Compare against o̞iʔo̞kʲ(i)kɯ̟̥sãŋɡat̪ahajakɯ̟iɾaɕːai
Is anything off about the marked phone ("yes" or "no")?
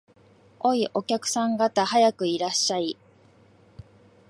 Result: yes